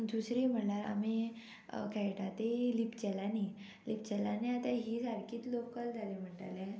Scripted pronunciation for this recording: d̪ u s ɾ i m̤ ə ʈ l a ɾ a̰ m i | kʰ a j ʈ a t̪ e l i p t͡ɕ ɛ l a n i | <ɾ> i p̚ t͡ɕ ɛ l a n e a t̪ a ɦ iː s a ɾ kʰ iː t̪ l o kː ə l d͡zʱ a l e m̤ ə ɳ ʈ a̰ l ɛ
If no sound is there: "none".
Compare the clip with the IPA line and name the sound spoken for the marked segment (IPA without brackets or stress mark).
l